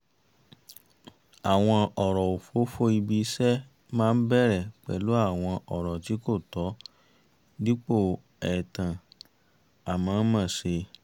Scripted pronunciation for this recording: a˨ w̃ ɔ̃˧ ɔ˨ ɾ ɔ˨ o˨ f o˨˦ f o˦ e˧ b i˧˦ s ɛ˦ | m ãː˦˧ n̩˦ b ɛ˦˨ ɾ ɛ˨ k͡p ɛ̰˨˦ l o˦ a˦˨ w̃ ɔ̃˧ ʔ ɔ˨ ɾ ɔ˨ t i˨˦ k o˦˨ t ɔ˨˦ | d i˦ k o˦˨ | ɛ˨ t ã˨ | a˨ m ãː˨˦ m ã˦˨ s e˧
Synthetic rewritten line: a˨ w̃ ɔ̃˧ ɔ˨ ɾ ɔ˨ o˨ f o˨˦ f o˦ i˧ b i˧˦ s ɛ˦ | m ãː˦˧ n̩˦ b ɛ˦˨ ɾ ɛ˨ k͡p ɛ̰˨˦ l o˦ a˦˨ w̃ ɔ̃˧ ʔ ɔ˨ ɾ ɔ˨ t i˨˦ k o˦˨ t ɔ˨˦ | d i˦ k͡p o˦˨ | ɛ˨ t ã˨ | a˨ m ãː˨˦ m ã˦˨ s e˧